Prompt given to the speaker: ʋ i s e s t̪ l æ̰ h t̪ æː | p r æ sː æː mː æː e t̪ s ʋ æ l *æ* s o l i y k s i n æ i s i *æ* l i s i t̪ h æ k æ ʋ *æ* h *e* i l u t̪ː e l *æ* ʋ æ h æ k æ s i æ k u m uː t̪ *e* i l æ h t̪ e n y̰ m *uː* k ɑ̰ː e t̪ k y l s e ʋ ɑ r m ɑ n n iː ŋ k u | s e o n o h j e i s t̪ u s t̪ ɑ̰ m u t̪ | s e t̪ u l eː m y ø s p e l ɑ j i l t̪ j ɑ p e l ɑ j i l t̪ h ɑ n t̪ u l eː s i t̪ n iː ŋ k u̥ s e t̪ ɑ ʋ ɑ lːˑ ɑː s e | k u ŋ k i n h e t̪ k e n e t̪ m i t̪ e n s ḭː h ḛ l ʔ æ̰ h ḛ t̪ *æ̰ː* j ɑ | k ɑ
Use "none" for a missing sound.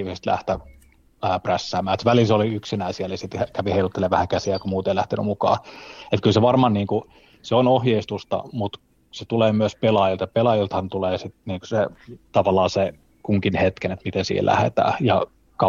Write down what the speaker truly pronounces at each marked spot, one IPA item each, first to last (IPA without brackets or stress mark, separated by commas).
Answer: i, æ, i, e, e, e, u, æ̰ː